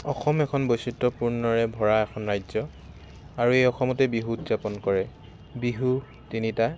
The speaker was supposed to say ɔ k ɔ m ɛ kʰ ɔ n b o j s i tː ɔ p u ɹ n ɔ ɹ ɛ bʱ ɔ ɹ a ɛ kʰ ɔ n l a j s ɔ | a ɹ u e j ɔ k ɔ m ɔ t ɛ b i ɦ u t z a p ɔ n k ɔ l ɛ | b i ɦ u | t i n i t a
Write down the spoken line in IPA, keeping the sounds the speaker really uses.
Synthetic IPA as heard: ɔ x ɔ m ɛ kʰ ɔ n b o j s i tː ɔ p u ɹ n ɔ ɹ ɛ bʱ ɔ ɹ a ɛ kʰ ɔ n ɹ a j z ɔ | a ɹ u e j ɔ x ɔ m ɔ t ɛ b i ɦ u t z a p ɔ n k ɔ ɹ ɛ | b i ɦ u | t i n i t a